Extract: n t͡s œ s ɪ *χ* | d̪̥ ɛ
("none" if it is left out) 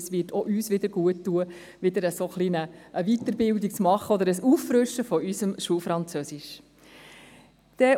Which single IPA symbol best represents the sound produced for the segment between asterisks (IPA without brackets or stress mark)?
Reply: ʃ